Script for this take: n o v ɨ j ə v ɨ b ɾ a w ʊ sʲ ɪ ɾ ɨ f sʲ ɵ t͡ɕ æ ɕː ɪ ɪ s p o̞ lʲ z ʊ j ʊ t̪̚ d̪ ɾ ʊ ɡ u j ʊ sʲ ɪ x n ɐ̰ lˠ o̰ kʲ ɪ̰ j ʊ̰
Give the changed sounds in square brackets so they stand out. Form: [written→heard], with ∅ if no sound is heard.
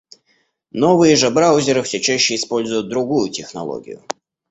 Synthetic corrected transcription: n o v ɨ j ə [v→ʐ] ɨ b ɾ a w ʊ [sʲ→zʲ] ɪ ɾ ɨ f sʲ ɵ t͡ɕ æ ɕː ɪ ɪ s p o̞ lʲ z ʊ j ʊ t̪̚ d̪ ɾ ʊ ɡ u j ʊ [sʲ→tʲ] ɪ x n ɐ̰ lˠ o̰ [kʲ→ɡʲ] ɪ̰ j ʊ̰